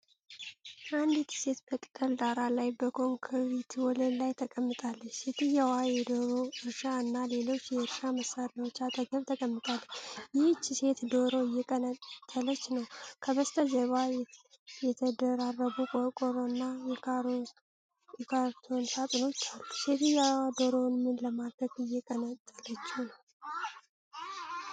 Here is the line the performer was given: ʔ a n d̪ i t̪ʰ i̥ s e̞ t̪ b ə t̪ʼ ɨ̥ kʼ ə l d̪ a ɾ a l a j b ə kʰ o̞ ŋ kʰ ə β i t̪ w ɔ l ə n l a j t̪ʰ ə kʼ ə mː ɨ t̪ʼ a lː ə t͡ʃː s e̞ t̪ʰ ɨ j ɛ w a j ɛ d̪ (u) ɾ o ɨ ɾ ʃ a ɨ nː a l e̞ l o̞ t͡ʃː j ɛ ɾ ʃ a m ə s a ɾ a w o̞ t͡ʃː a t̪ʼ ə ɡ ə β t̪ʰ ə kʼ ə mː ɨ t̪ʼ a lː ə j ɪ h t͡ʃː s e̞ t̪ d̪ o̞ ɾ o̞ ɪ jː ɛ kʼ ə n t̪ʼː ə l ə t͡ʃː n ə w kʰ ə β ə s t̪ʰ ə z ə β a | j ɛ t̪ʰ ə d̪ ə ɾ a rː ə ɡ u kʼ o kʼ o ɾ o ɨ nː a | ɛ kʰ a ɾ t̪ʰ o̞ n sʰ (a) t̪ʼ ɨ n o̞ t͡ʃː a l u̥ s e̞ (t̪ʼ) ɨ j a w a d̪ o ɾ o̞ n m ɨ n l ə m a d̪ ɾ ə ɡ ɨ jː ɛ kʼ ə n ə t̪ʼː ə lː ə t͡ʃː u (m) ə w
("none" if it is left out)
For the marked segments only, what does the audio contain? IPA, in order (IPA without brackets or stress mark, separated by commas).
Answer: o, a, t̪, n